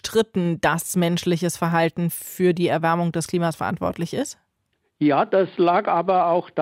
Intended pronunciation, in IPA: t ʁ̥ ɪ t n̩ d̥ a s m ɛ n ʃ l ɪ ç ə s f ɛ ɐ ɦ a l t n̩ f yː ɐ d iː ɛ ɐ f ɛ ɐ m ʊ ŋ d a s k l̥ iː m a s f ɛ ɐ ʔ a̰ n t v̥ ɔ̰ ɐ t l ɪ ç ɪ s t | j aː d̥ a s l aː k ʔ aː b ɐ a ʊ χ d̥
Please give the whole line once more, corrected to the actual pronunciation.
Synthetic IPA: t ʁ̥ ɪ t n̩ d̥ a s m ɛ n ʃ l ɪ ç ə s f ɛ ɐ ɦ a l t n̩ f yː ɐ d iː ɛ ɐ v ɛ ɐ m ʊ ŋ d ɛ s k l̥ iː m a s f ɛ ɐ ʔ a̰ n t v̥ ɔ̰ ɐ t l ɪ ç ɪ s t | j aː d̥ a s l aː k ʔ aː b ɐ a ʊ x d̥